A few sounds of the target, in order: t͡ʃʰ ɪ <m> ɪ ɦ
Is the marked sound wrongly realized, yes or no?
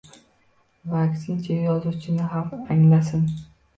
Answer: yes